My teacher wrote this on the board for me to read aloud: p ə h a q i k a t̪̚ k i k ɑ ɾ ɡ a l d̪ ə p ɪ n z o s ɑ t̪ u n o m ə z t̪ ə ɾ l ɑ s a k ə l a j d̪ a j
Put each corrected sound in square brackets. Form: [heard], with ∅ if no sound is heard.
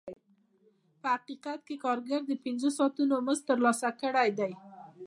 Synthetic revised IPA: p ə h a q i [q] a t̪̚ k [e] k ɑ ɾ ɡ a [ɾ] d̪ ə p ɪ n z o s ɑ t̪ u n o m ə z t̪ ə ɾ l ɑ s a k ə [ɽ] a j d̪ a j